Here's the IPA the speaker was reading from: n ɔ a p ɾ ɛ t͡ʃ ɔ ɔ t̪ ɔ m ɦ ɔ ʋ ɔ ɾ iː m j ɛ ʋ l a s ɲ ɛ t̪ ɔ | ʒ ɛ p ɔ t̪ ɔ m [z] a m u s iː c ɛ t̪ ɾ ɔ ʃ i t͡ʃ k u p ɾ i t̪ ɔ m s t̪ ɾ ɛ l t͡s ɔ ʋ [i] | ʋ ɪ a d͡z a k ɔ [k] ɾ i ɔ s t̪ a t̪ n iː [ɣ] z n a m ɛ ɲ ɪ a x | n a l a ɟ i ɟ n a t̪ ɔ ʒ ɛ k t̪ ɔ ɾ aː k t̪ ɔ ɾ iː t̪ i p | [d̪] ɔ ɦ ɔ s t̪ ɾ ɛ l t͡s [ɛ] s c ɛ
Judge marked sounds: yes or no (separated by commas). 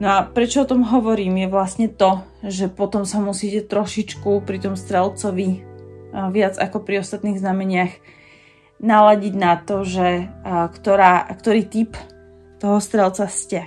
no, yes, no, yes, no, no